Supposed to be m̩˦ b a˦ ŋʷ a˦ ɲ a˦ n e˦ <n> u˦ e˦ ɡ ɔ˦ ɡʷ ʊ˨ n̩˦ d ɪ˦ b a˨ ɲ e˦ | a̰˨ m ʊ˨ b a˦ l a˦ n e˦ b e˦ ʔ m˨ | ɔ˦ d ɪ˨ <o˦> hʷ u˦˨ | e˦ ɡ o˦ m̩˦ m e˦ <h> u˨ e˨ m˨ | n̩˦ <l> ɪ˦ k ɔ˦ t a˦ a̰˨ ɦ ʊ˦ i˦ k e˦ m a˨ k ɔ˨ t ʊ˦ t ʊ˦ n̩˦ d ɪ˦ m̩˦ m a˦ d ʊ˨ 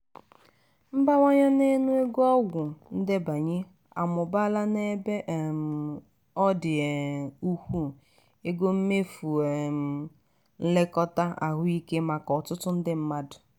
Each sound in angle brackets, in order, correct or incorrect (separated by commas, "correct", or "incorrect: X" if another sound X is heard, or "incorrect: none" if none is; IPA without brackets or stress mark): correct, incorrect: u˦, incorrect: f, correct